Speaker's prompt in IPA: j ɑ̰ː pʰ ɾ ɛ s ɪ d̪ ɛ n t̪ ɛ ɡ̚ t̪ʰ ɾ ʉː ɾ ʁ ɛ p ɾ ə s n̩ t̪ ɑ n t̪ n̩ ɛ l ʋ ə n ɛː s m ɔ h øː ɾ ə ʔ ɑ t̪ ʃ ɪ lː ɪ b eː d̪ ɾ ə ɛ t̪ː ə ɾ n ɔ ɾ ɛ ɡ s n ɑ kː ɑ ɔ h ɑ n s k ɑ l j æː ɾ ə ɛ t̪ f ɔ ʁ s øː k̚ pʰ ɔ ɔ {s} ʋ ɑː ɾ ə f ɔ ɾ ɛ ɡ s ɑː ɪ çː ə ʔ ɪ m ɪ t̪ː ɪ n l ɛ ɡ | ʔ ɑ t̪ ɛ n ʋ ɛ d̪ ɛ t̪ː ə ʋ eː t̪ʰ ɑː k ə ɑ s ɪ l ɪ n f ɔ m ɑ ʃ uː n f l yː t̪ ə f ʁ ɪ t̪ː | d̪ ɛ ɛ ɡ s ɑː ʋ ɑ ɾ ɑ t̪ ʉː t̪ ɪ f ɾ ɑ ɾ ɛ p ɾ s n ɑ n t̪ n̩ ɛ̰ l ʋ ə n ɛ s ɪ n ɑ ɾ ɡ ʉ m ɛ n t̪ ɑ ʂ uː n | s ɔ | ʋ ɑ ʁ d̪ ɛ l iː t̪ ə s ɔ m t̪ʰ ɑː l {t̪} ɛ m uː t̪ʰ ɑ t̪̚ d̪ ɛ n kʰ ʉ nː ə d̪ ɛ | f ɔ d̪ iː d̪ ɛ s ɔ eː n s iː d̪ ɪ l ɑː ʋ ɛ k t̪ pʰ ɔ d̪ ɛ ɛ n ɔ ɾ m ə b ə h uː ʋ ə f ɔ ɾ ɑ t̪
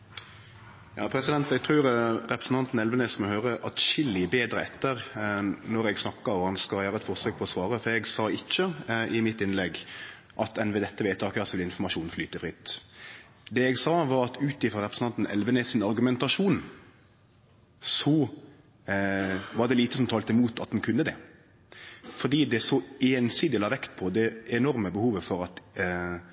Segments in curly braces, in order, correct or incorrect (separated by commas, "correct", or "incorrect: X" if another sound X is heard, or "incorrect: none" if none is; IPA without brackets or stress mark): correct, correct